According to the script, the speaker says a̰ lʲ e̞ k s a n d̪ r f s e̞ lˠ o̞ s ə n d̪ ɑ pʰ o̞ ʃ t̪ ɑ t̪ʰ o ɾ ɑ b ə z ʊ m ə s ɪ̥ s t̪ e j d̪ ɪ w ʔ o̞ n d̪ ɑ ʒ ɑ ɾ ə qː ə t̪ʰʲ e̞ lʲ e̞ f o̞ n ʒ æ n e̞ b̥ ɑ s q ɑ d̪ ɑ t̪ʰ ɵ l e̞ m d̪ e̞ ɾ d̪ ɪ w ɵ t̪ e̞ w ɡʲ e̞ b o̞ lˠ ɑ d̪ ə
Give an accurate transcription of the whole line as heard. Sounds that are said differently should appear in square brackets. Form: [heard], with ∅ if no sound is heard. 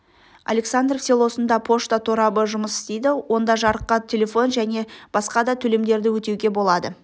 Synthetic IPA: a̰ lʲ e̞ k s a n d̪ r f s e̞ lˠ o̞ s ə n d̪ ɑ pʰ o̞ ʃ t̪ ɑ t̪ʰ o ɾ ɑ b ə [ʒ] ʊ m ə s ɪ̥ s t̪ e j d̪ ɪ w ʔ o̞ n d̪ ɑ ʒ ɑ ɾ ə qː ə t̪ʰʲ e̞ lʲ e̞ f o̞ n ʒ æ n e̞ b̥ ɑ s q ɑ d̪ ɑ t̪ʰ ɵ l e̞ m d̪ e̞ ɾ d̪ ɪ w ɵ t̪ e̞ w ɡʲ e̞ b o̞ lˠ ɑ d̪ ə